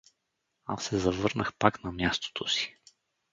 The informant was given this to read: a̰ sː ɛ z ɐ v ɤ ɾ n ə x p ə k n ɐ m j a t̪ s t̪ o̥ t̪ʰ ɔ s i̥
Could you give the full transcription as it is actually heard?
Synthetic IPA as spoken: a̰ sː ɛ z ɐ v ɤ ɾ n ə x p a k n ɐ m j a s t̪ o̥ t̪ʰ o s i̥